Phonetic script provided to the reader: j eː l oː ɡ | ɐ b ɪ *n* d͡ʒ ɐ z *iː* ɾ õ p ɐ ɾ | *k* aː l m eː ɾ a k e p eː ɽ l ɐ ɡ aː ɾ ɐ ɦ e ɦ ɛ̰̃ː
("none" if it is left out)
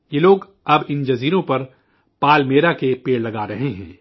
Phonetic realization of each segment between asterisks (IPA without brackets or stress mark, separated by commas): n, iː, p